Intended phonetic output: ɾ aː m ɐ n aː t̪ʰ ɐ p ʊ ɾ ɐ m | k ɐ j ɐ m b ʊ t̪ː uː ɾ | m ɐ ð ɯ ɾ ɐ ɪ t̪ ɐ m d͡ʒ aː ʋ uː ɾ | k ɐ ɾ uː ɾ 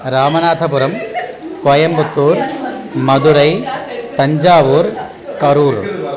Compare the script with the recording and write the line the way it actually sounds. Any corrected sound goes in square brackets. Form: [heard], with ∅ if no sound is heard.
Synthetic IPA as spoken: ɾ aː m ɐ n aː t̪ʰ ɐ p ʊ ɾ ɐ m | k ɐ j ɐ m b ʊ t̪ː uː ɾ | m ɐ ð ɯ ɾ ɐ ɪ t̪ ɐ [ɲ] d͡ʒ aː ʋ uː ɾ | k ɐ ɾ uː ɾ